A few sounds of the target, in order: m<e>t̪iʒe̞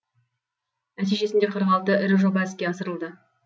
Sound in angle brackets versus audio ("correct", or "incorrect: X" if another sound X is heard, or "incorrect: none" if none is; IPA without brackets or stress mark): incorrect: æ